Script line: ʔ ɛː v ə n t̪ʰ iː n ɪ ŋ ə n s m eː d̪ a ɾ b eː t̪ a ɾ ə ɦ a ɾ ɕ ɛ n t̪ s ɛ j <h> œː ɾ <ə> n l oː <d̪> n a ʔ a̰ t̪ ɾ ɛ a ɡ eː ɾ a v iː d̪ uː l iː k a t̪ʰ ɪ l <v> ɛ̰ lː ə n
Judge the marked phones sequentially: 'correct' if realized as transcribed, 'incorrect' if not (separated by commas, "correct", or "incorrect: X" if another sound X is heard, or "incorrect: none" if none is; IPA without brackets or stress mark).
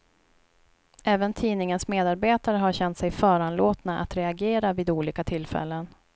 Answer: incorrect: f, incorrect: a, incorrect: t̪, incorrect: f